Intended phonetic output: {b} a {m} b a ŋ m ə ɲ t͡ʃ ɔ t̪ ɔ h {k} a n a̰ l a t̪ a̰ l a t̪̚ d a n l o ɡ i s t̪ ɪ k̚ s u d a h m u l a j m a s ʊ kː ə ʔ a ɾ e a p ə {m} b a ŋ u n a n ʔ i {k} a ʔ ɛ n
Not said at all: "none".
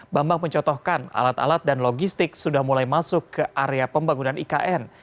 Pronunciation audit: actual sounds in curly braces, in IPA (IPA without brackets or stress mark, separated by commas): b, m, k, m, k